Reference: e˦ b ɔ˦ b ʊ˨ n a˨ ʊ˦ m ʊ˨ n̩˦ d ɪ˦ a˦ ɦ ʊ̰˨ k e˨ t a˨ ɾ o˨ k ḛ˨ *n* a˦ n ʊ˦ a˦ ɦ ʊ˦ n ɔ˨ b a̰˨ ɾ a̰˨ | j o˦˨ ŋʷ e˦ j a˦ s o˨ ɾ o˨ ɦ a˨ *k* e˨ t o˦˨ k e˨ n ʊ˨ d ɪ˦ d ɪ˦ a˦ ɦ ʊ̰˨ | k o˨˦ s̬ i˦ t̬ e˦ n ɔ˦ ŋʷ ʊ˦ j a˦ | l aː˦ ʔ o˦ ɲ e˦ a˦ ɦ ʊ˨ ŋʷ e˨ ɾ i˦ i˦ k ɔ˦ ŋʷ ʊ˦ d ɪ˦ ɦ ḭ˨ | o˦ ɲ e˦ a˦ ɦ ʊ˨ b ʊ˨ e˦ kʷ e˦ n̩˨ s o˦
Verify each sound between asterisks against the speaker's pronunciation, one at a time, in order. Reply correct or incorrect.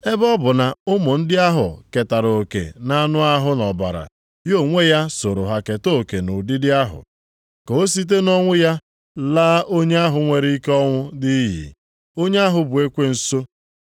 correct, correct

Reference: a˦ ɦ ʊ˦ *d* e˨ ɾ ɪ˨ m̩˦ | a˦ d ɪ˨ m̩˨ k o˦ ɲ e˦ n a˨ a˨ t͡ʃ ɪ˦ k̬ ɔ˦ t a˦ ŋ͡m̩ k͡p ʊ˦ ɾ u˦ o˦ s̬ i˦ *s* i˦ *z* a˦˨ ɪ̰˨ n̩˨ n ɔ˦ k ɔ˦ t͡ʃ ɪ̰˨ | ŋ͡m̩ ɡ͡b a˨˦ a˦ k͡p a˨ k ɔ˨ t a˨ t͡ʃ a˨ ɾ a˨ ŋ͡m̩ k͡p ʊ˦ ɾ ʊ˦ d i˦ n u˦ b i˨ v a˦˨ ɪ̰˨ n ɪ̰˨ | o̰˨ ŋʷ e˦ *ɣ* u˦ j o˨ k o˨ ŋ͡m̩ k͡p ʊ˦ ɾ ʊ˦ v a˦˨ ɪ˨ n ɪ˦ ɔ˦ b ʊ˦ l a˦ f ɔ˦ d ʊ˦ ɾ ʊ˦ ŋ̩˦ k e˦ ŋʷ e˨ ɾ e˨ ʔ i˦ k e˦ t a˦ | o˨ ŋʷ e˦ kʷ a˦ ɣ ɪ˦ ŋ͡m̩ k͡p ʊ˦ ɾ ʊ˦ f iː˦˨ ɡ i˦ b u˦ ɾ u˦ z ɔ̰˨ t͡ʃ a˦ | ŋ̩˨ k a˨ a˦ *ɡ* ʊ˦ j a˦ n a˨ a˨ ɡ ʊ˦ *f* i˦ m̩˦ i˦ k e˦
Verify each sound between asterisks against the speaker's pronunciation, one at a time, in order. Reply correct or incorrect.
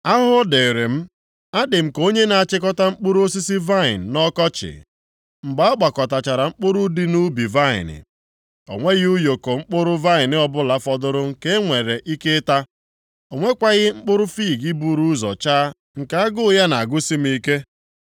correct, correct, incorrect, correct, correct, incorrect

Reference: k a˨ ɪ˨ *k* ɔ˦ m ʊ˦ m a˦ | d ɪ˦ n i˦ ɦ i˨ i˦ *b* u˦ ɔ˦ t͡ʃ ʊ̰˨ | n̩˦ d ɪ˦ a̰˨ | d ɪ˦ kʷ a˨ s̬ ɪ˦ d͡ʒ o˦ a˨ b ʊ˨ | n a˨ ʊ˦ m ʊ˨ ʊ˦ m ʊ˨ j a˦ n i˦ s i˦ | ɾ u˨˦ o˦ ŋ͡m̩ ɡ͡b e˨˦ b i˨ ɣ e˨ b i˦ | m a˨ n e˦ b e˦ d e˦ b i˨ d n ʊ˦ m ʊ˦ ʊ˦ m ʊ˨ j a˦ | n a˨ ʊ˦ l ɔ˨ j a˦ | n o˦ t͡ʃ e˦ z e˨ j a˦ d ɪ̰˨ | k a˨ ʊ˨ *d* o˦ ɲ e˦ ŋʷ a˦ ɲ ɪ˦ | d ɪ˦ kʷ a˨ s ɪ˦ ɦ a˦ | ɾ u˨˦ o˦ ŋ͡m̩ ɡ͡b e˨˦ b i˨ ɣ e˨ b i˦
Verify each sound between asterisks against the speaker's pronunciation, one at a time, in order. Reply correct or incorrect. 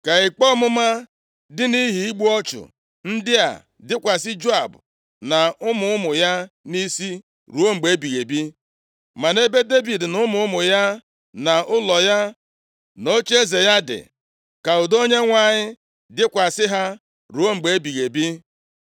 incorrect, incorrect, correct

